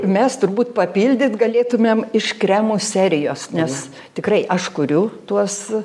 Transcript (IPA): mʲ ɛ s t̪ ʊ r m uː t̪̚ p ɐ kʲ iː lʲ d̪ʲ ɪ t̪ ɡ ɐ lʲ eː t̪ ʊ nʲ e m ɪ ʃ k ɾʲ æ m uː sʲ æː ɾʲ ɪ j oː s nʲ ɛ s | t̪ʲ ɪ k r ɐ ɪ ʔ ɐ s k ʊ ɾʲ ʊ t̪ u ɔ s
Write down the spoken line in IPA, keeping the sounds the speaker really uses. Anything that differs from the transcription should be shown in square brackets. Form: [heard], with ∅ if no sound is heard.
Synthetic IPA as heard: mʲ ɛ s t̪ ʊ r [b] uː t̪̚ p ɐ [pʲ] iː lʲ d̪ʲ ɪ t̪ ɡ ɐ lʲ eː t̪ ʊ [mʲ] e m ɪ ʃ k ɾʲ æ m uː sʲ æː ɾʲ ɪ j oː s nʲ ɛ s | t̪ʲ ɪ k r ɐ ɪ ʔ ɐ [ʃ] k ʊ ɾʲ ʊ t̪ u ɔ s